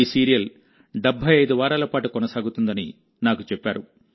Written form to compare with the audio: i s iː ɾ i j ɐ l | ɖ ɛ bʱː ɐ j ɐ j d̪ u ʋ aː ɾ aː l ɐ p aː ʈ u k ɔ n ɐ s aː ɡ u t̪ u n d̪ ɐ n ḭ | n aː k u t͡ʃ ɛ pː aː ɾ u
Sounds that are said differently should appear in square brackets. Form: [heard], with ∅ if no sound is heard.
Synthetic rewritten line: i s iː ɾ i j ɐ l | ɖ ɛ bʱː ɐ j ɐ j d̪ u ʋ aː ɾ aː l ɐ p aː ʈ u k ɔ n ɐ s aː ɡ u t̪ u n d̪ ɐ n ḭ | n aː k u t͡ʃ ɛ pː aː ɾ u